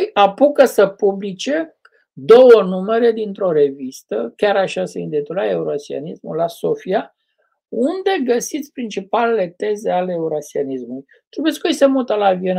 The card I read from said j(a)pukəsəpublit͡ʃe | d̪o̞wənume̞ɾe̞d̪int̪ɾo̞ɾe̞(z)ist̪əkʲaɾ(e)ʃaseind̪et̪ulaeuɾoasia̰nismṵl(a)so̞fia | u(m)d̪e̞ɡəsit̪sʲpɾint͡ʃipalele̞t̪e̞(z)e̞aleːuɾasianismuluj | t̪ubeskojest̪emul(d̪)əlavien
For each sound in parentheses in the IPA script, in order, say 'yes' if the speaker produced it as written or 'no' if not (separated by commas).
yes, no, no, yes, no, yes, no